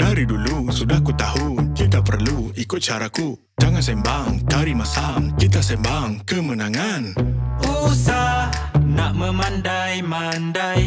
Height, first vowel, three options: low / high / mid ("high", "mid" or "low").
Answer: low